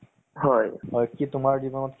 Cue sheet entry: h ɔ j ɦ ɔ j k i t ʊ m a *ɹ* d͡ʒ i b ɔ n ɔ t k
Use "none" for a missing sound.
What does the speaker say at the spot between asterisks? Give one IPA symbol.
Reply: ɹ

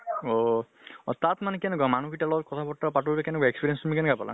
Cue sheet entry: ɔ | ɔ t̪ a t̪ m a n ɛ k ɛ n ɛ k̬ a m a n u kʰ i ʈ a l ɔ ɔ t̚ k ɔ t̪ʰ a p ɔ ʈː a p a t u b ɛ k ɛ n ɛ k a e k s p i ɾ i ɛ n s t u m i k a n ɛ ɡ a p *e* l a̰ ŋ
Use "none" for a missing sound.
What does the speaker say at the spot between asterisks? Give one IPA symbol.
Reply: a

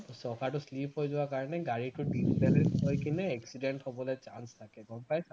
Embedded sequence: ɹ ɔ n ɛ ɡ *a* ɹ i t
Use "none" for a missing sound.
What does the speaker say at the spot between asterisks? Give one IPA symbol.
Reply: a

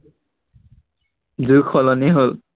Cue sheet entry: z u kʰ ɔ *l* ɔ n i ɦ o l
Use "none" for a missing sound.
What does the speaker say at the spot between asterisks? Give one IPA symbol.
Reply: l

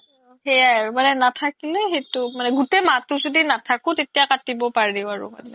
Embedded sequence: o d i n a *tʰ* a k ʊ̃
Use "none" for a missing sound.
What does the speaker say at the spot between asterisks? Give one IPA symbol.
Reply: tʰ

